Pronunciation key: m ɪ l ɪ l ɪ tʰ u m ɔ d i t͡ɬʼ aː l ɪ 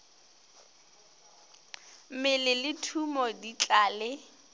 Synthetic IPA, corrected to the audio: m ɪ l ɪ l ɪ tʰ u m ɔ d i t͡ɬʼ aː l ɪ